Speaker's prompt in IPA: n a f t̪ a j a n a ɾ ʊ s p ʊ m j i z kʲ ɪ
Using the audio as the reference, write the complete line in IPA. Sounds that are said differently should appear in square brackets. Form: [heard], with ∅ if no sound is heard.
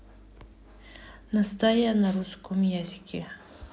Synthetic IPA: n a [s] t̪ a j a n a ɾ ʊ s [k] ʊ m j [a] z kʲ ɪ

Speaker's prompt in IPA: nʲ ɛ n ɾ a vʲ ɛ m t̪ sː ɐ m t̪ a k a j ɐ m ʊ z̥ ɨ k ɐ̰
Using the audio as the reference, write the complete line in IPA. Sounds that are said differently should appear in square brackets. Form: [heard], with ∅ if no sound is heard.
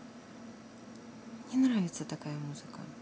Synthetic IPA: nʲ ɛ n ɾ a vʲ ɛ [∅] t̪ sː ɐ [∅] t̪ a k a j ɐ m [u] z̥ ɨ k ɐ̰

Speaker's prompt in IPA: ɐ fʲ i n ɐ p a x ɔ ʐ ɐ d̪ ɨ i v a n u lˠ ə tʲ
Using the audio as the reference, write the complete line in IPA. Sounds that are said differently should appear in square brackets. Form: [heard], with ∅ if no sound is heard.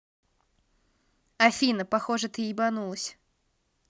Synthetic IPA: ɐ fʲ i n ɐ p a x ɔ ʐ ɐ [t̪] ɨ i [b] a n u lˠ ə [sʲ]

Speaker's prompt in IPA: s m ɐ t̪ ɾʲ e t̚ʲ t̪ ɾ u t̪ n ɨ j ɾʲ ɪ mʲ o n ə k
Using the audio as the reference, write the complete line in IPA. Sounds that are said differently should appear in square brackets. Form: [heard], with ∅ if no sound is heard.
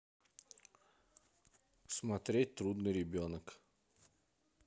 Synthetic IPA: s m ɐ t̪ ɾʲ e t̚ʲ t̪ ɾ u [d̪] n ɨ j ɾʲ ɪ [bʲ] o n ə k

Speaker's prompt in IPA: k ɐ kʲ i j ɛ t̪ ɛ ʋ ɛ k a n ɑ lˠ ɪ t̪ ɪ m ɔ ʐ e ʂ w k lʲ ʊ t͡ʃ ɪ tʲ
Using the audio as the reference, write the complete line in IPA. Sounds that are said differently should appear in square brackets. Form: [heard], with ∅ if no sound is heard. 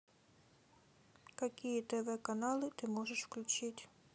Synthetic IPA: k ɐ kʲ i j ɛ t̪ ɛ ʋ ɛ k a n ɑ lˠ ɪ t̪ ɪ m ɔ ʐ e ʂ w k lʲ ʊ t͡ʃ ɪ tʲ

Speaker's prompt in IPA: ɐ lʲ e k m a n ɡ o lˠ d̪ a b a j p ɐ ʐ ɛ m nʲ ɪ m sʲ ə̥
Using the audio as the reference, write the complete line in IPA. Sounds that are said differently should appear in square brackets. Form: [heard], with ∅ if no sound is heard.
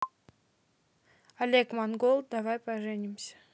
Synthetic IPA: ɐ lʲ e k m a n ɡ o lˠ d̪ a [v] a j p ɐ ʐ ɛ [∅] nʲ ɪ m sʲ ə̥

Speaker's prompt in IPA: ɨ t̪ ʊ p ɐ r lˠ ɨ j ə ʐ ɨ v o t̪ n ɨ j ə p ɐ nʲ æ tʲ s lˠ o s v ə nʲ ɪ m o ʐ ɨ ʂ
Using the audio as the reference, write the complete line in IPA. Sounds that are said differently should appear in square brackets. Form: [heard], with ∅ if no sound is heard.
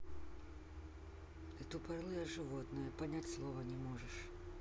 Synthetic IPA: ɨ t̪ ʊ p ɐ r lˠ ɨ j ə ʐ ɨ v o t̪ n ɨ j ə p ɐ nʲ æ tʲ s lˠ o [∅] v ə nʲ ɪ m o ʐ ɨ ʂ

